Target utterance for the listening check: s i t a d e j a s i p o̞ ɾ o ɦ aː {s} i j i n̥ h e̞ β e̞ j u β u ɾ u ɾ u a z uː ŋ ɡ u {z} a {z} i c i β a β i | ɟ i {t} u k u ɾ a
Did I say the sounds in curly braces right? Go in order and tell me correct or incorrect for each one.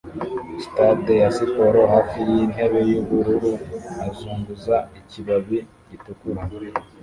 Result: incorrect: f, correct, incorrect: none, correct

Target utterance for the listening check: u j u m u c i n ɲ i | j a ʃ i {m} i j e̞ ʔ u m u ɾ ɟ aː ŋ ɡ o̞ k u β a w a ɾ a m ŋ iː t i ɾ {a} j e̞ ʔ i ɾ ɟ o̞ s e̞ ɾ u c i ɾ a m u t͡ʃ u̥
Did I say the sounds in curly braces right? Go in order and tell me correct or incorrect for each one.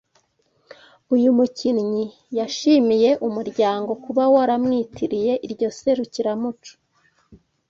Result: correct, incorrect: i

